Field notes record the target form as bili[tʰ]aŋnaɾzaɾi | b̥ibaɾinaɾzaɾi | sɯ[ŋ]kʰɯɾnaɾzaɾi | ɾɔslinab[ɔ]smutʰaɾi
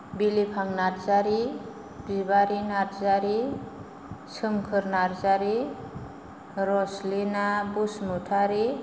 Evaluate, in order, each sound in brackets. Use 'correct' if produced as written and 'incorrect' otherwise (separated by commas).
incorrect, incorrect, incorrect